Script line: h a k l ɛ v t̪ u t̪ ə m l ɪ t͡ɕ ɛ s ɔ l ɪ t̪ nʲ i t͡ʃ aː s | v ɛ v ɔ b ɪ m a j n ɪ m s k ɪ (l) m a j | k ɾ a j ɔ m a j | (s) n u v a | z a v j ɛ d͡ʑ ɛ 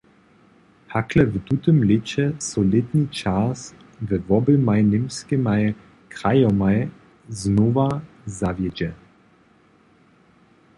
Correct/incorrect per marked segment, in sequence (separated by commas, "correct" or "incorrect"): incorrect, incorrect